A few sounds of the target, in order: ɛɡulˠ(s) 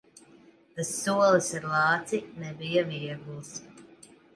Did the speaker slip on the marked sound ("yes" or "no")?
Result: no